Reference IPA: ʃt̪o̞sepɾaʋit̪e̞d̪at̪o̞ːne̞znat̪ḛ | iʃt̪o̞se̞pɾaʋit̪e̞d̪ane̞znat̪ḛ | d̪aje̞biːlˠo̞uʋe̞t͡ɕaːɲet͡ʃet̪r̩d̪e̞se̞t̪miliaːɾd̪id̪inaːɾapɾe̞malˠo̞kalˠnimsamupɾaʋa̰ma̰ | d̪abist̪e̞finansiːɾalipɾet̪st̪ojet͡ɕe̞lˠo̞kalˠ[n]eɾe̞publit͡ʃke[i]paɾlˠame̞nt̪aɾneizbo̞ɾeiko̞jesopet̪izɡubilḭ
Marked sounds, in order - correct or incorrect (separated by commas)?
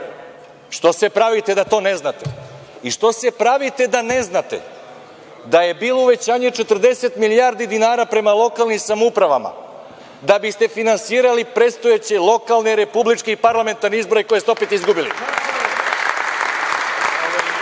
correct, correct